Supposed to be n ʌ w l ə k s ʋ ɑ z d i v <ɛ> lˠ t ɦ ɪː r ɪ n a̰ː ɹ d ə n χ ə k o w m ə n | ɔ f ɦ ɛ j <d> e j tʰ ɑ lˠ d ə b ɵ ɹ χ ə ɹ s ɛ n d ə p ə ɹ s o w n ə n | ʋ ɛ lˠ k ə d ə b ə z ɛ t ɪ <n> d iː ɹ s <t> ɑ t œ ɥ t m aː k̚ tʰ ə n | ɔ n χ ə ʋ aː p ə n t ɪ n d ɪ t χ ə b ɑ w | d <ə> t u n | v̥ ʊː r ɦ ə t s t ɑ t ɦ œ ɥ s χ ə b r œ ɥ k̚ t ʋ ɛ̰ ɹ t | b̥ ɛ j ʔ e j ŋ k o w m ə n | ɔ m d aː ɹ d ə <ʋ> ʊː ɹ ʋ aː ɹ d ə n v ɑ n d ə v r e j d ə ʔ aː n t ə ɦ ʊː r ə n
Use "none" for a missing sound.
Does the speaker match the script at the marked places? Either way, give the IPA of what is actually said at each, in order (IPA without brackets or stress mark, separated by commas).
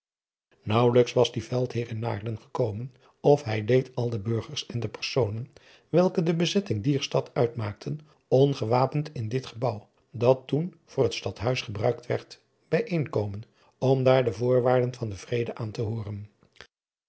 ɛ, d, ŋ, t, ɑ, v